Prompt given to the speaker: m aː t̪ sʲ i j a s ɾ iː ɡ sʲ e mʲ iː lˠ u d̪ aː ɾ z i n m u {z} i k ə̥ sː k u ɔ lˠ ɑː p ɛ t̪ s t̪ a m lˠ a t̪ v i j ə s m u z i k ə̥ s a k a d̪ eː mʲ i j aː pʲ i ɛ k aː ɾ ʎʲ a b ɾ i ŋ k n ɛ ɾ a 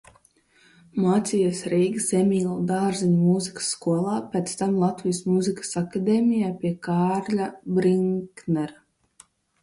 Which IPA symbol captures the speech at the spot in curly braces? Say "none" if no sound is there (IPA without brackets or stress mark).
z